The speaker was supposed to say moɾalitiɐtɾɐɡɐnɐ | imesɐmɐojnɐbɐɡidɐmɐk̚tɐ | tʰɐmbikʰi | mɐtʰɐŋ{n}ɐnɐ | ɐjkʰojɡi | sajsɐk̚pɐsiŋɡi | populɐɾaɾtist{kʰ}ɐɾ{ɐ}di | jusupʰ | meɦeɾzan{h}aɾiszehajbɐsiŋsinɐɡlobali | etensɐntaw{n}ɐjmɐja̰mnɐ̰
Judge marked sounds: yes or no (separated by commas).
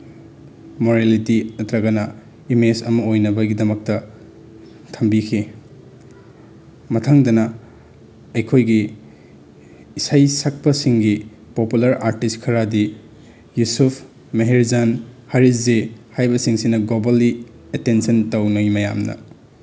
no, yes, no, yes, yes